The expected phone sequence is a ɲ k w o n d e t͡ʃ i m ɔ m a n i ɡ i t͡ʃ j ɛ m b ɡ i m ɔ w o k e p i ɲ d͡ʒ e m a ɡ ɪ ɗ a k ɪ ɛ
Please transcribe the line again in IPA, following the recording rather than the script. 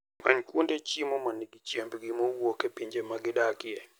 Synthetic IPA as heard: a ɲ k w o n d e t͡ʃ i m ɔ m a n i ɡ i t͡ʃ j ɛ m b ɡ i m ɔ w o k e p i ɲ d͡ʒ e m a ɡ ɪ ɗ a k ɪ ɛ

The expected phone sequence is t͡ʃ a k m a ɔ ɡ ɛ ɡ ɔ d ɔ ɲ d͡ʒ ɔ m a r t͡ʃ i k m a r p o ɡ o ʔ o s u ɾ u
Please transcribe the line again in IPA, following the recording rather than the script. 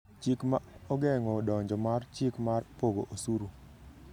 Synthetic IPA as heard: t͡ʃ i k m a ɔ ɡ ɛ ŋ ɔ d ɔ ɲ d͡ʒ ɔ m a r t͡ʃ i k m a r p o ɡ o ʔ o s u ɾ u

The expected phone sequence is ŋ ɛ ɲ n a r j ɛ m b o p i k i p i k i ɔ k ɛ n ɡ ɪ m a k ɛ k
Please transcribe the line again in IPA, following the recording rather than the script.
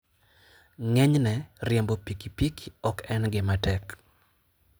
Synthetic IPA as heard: ŋ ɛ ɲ n ɛ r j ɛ m b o p i k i p i k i ɔ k ɛ n ɡ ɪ m a t ɛ k

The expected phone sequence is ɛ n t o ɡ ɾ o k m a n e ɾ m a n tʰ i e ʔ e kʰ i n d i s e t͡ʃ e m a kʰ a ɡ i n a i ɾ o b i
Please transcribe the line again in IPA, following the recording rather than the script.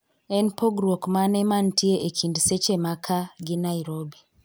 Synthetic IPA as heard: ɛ n p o ɡ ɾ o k m a n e m a n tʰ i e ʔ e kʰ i n d i s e t͡ʃ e m a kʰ a ɡ i n a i ɾ o b i

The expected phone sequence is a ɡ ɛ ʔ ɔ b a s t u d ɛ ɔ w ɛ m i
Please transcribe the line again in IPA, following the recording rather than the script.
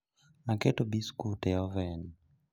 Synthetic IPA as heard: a k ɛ t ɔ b i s k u t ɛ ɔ v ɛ n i

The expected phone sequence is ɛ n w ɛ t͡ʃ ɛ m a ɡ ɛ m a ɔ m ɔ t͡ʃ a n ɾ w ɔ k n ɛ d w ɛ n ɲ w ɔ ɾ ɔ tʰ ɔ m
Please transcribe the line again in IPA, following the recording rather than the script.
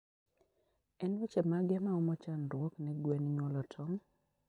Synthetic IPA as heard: ɛ n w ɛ t͡ʃ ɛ m a ɡ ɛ m a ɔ m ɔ t͡ʃ a n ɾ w ɔ k n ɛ ɡ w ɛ n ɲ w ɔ l ɔ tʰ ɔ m

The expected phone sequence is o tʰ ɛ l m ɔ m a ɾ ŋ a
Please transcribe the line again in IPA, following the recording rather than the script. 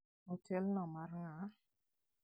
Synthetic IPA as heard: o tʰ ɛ l n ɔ m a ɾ ŋ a

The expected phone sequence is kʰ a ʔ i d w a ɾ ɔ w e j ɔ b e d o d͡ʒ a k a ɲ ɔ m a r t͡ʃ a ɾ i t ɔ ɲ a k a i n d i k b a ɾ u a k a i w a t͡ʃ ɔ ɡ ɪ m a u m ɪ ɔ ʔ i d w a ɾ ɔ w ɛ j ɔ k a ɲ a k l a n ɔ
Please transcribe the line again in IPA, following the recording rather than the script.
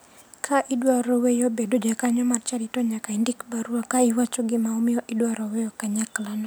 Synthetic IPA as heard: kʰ a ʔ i d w a ɾ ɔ w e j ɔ b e d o d͡ʒ a k a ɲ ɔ m a r t͡ʃ a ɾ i t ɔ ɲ a k a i n d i k b a ɾ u a k a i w a t͡ʃ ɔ ɡ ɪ m a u m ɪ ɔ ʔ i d w a ɾ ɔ w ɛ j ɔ k a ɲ a k l a n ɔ

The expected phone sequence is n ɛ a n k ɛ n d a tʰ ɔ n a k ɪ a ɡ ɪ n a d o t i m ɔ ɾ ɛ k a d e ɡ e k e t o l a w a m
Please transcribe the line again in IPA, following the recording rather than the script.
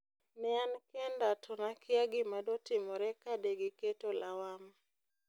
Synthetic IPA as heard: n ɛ a n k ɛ n d a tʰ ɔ n a k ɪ a ɡ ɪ m a d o t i m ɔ ɾ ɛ k a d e ɡ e k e t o l a w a m

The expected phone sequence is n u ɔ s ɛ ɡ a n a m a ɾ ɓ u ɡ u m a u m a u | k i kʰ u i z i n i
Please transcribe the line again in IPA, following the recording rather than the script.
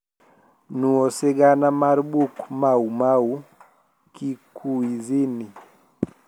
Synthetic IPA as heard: n u ɔ s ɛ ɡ a n a m a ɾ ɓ u k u m a u m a u | k i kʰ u i z i n i

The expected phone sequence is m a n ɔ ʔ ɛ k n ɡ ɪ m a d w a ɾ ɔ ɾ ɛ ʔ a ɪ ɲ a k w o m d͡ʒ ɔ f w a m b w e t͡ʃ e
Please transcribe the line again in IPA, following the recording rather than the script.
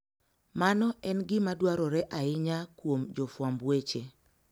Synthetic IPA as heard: m a n ɔ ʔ ɛ n ɡ ɪ m a d w a ɾ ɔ ɾ ɛ ʔ a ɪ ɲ a k w o m d͡ʒ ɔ f w a m b w e t͡ʃ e

